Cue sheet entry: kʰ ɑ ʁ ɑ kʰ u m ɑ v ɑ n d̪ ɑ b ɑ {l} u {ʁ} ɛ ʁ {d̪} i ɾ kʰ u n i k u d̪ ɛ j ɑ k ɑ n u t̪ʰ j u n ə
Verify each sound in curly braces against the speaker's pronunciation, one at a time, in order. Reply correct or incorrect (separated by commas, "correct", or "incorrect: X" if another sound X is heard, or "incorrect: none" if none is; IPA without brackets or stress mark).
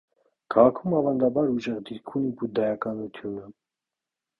incorrect: ɾ, incorrect: ʒ, correct